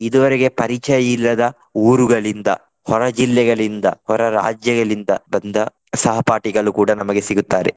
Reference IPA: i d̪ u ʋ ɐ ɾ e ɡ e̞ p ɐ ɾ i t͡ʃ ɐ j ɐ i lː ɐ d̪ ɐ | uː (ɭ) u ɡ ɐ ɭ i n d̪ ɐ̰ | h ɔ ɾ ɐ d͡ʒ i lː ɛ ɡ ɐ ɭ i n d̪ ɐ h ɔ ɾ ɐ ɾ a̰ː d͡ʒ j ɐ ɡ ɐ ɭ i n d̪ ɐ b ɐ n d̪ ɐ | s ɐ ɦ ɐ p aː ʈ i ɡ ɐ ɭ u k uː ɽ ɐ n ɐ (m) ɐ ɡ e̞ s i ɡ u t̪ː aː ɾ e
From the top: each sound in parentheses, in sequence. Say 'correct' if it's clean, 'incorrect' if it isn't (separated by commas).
incorrect, correct